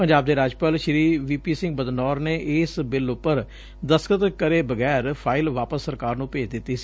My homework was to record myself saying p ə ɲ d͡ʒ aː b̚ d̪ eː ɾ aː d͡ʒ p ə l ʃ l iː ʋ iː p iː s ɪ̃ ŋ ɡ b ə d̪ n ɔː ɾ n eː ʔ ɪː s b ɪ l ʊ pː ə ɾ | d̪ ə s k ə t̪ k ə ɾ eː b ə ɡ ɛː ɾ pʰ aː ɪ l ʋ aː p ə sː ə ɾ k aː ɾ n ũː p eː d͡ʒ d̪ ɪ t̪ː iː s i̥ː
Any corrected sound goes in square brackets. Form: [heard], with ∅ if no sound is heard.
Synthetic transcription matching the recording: p ə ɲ d͡ʒ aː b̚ d̪ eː ɾ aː d͡ʒ p ə l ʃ [ɾ] iː ʋ iː p iː s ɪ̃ ŋ ɡ b ə d̪ n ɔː ɾ n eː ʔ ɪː s b ɪ l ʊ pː ə ɾ | d̪ ə s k ə t̪ k ə ɾ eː b ə ɡ ɛː ɾ pʰ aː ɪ l ʋ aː p ə sː ə ɾ k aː ɾ n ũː p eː d͡ʒ d̪ ɪ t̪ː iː s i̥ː